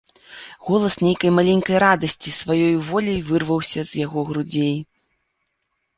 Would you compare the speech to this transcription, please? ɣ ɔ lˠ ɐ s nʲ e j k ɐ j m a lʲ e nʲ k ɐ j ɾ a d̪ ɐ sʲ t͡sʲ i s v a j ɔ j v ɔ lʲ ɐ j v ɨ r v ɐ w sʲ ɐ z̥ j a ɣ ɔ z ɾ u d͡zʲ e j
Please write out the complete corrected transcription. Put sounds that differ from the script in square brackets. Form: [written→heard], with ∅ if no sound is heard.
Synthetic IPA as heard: ɣ ɔ lˠ ɐ s nʲ e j k ɐ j m a lʲ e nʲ k ɐ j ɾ a d̪ ɐ sʲ t͡sʲ i s v a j ɔ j v ɔ lʲ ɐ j v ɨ r v ɐ w sʲ ɐ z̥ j a ɣ ɔ [z→ɣ] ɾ u d͡zʲ e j

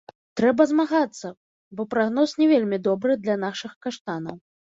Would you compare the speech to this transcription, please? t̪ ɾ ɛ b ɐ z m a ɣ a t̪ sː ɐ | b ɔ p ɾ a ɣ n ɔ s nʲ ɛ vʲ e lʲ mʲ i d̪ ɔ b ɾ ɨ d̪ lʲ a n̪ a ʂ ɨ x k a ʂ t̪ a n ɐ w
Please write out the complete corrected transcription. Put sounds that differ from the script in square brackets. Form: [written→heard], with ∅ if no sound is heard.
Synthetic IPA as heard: t̪ ɾ ɛ b ɐ z m a ɣ a t̪ sː ɐ | b ɔ p ɾ a ɣ n ɔ s nʲ ɛ vʲ e lʲ mʲ i d̪ ɔ b ɾ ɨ d̪ lʲ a n̪ a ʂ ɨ x k a ʂ t̪ a n ɐ w

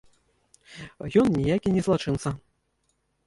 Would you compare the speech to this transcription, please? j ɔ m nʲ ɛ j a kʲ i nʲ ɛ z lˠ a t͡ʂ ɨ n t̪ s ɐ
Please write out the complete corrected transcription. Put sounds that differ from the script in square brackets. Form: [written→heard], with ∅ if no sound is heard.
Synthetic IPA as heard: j ɔ [m→n] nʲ [ɛ→i] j a kʲ i nʲ ɛ z lˠ a t͡ʂ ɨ n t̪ s ɐ

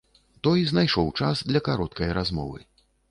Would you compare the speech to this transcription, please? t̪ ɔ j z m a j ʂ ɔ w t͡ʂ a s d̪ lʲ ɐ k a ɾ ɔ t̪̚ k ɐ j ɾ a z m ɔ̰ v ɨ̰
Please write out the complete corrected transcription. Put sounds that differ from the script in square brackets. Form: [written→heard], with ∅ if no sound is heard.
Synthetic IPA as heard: t̪ ɔ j z [m→n] a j ʂ ɔ w t͡ʂ a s d̪ lʲ ɐ k a ɾ ɔ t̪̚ k ɐ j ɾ a z m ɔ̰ v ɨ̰

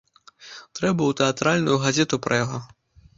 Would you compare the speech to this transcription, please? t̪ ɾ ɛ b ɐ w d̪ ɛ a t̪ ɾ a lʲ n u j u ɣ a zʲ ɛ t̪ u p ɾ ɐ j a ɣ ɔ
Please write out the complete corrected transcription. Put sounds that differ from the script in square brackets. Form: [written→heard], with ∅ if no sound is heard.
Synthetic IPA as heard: t̪ ɾ ɛ b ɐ w [d̪→t̪] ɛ a t̪ ɾ a lʲ n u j u ɣ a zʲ ɛ t̪ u p ɾ ɐ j a ɣ ɔ

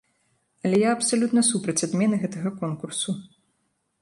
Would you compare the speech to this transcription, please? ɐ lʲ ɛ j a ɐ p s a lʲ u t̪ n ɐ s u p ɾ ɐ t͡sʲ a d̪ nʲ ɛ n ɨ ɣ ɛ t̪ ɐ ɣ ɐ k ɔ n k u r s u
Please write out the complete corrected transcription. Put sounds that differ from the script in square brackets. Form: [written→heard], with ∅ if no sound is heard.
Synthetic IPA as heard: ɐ lʲ ɛ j a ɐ p s a lʲ u t̪ n ɐ s u p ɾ ɐ t͡sʲ a d̪ [nʲ→mʲ] ɛ n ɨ ɣ ɛ t̪ ɐ ɣ ɐ k ɔ n k u r s u

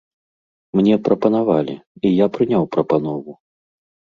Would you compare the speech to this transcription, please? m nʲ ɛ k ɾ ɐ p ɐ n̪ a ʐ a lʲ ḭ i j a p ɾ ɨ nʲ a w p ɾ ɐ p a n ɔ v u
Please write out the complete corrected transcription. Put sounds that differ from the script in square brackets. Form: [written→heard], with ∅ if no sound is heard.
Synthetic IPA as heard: m nʲ ɛ [k→p] ɾ ɐ p ɐ n̪ a [ʐ→v] a lʲ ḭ i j a p ɾ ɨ nʲ a w p ɾ ɐ p a n ɔ v u

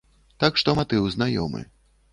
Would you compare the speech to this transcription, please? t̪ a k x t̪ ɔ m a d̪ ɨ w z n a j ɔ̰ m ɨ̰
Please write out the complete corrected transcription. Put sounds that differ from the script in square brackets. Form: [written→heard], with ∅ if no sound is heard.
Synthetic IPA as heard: t̪ a k [x→ʂ] t̪ ɔ m a [d̪→t̪] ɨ w z n a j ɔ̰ m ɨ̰

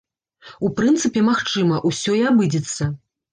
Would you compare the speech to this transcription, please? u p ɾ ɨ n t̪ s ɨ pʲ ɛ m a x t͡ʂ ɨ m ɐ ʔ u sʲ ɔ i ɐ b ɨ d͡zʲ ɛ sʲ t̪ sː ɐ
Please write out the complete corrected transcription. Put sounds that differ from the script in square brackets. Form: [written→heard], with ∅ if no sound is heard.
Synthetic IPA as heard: u p ɾ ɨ n t̪ s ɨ pʲ ɛ m a x t͡ʂ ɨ m ɐ ʔ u sʲ ɔ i [ɐ→a] b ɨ d͡zʲ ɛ [sʲ→∅] t̪ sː ɐ

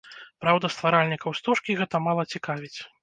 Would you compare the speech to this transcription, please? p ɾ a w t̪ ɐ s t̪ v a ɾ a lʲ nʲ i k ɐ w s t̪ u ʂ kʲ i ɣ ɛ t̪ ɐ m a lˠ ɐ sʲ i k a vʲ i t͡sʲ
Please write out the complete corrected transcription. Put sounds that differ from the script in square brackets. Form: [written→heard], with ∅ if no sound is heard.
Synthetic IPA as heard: p ɾ a w [t̪→d̪] ɐ s t̪ v a ɾ a lʲ nʲ i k ɐ w s t̪ u ʂ kʲ i ɣ ɛ t̪ ɐ m a lˠ ɐ [sʲ→t͡sʲ] i k a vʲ i t͡sʲ

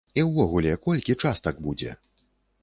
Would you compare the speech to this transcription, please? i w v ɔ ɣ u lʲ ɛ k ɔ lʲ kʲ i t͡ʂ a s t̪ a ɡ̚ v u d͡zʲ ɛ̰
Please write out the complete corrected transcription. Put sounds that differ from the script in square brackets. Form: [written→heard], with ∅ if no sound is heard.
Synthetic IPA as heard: i w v ɔ ɣ u lʲ ɛ k ɔ lʲ kʲ i t͡ʂ a s t̪ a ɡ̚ [v→b] u d͡zʲ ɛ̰

